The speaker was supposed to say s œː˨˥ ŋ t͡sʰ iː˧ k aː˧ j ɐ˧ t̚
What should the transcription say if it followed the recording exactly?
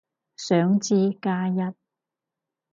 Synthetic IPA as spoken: s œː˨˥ ŋ t͡s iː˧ k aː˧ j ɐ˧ t̚